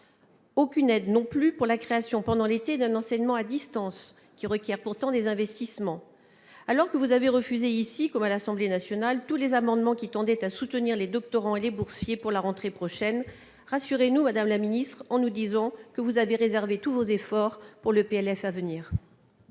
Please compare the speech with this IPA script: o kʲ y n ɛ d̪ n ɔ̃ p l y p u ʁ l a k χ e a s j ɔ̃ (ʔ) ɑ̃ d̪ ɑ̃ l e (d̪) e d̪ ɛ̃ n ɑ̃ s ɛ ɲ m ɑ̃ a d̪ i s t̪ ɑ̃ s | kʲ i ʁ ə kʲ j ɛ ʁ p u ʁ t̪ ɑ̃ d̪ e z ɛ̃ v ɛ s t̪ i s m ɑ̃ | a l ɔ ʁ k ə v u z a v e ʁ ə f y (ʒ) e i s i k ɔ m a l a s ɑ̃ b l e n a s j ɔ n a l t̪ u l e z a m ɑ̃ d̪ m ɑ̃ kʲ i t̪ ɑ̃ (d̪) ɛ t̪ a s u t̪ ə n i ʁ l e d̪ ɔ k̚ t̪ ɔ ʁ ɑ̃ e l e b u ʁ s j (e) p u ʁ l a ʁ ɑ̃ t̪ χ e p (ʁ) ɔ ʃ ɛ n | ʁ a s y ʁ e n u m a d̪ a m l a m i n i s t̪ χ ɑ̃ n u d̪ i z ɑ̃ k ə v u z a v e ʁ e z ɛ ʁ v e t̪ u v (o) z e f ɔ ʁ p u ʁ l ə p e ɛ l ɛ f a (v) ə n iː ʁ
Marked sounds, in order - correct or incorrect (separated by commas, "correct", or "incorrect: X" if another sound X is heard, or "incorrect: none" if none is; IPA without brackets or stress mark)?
incorrect: p, incorrect: t̪, incorrect: z, correct, correct, incorrect: χ, correct, correct